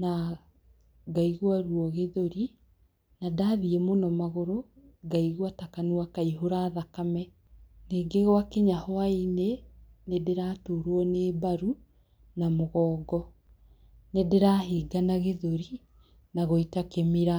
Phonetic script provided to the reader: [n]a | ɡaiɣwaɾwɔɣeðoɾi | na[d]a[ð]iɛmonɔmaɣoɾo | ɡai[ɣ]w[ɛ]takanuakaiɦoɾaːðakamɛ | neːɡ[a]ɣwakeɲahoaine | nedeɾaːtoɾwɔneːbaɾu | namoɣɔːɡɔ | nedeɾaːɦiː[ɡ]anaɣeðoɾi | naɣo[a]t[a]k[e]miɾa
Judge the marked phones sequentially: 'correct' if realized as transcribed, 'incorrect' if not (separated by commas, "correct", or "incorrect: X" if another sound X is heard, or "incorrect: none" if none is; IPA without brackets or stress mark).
correct, correct, correct, correct, incorrect: a, incorrect: e, correct, incorrect: i, correct, correct